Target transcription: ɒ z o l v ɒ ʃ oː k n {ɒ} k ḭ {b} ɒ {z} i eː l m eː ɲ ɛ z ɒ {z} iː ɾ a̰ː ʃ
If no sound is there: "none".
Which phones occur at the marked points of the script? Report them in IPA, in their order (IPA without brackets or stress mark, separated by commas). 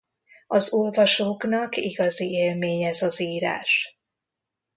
ɒ, ɡ, z, z